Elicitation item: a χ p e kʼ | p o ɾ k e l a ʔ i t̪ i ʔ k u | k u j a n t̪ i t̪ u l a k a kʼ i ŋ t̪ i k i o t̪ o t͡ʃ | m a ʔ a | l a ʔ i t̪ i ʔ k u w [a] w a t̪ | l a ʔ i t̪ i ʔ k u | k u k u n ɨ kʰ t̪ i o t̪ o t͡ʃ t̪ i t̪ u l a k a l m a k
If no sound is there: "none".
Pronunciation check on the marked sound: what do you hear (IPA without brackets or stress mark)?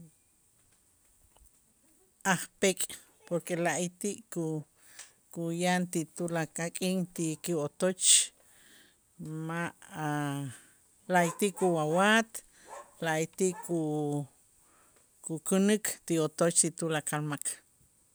a